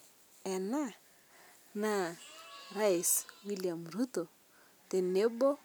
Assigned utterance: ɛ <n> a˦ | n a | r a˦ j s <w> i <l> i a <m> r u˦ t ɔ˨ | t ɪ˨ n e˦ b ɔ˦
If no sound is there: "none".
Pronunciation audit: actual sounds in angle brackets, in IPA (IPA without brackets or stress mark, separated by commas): n, w, l, m